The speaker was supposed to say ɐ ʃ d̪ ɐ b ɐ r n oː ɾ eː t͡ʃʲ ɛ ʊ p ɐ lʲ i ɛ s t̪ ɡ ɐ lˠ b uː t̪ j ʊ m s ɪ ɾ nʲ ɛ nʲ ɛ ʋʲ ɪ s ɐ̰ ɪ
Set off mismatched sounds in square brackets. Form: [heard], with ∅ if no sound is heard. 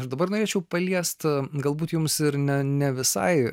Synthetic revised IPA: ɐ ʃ d̪ ɐ b ɐ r n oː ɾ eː t͡ʃʲ ɛ ʊ p ɐ lʲ i ɛ s t̪ ɡ ɐ lˠ b uː t̪ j ʊ m s ɪ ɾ nʲ ɛ nʲ ɛ ʋʲ ɪ s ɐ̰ ɪ